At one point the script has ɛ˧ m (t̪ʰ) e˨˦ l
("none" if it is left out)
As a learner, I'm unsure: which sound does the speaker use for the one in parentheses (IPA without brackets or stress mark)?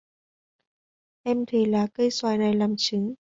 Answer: t̪ʰ